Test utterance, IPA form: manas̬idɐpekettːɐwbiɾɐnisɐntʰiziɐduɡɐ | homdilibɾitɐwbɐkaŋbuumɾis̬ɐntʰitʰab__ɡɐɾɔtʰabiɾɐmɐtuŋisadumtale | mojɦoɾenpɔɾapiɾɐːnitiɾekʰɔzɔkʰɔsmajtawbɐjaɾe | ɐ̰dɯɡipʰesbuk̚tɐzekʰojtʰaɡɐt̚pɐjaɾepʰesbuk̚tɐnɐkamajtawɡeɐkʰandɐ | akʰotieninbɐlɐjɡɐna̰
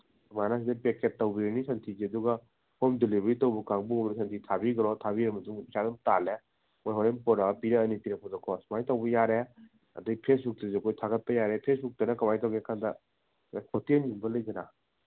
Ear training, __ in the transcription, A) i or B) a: A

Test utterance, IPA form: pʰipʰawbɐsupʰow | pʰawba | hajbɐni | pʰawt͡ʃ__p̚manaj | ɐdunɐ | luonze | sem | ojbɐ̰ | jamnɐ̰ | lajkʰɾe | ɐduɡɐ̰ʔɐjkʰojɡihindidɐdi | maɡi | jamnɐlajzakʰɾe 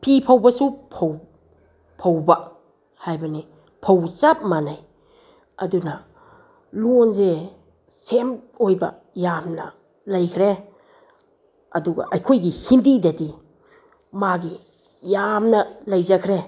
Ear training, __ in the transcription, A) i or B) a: B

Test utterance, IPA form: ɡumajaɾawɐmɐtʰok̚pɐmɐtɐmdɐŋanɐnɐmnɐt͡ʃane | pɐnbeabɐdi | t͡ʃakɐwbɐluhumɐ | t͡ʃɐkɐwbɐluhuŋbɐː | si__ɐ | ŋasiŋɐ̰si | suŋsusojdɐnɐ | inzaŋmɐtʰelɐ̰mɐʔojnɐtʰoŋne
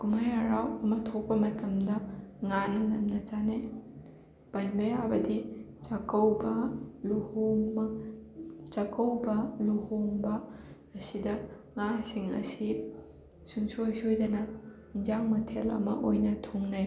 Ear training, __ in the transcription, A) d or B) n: A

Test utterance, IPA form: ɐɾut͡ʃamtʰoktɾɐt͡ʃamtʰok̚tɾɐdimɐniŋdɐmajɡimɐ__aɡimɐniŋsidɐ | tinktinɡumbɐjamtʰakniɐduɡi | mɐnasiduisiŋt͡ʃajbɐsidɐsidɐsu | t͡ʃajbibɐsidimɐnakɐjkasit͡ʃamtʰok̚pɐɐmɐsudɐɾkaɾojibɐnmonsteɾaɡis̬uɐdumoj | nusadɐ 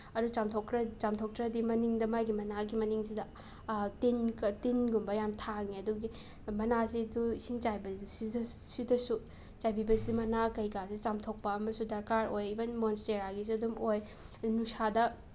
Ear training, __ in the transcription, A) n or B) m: A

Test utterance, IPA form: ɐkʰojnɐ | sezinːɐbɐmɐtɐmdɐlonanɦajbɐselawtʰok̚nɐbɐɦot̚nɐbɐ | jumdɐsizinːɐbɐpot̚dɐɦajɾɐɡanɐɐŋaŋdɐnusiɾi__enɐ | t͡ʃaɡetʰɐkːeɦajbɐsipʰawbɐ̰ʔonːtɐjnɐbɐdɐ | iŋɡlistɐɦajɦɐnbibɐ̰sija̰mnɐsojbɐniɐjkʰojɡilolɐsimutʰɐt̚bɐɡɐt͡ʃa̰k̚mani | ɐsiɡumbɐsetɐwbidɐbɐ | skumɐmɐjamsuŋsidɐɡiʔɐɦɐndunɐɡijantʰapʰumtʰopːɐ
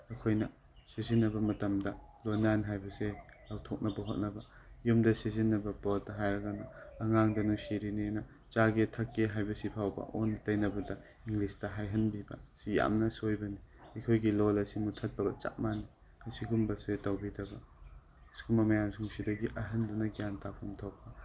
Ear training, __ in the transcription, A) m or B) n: B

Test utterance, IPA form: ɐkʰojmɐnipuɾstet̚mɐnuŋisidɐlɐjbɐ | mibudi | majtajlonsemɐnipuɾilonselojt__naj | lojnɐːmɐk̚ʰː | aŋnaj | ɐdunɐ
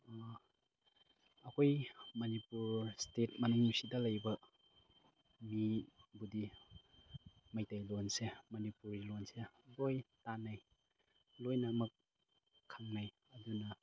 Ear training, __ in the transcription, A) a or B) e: A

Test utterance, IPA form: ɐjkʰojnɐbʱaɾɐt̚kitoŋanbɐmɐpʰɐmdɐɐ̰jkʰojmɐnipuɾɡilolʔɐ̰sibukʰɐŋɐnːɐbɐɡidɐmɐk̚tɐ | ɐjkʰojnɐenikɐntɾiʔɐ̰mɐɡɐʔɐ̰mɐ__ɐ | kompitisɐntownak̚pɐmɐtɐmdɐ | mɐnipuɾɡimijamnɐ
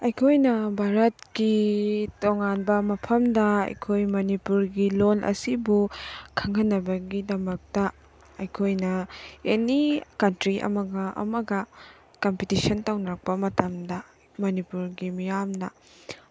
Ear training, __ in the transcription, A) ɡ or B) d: A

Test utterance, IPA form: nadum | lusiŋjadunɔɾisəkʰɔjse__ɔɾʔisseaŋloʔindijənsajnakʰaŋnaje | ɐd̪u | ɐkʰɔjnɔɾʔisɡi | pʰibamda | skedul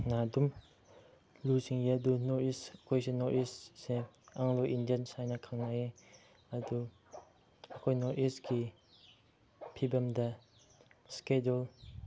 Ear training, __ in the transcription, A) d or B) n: B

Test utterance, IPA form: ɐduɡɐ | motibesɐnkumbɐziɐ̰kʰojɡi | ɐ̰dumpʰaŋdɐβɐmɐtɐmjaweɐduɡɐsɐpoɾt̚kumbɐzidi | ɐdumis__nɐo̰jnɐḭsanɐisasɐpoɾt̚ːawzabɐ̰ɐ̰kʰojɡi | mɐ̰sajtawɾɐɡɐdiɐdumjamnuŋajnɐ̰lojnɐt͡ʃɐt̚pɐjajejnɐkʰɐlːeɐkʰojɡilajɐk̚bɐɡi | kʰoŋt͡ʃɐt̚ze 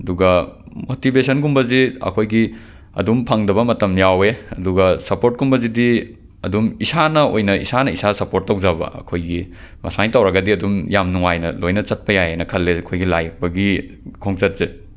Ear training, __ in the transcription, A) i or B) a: B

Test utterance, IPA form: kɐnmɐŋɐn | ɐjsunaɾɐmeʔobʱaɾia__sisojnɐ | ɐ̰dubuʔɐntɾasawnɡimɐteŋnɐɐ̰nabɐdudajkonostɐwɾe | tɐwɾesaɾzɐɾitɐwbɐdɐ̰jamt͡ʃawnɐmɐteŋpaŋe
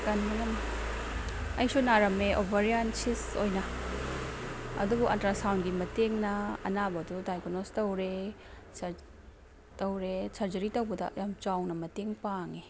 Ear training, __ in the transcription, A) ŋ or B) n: B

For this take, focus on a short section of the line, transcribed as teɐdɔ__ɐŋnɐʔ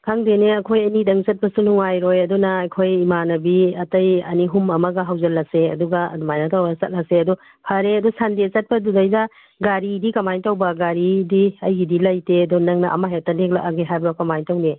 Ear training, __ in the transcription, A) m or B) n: B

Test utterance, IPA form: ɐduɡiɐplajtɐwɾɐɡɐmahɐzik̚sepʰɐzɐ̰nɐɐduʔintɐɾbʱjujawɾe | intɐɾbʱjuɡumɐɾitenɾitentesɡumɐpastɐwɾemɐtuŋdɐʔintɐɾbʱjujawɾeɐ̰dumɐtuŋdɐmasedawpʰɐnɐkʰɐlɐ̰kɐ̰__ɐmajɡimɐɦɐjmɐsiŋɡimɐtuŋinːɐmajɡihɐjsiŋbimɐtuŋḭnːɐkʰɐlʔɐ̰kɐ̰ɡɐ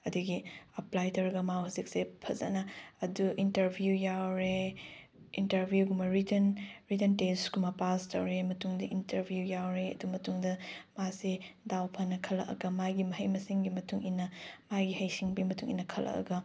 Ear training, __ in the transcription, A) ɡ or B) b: A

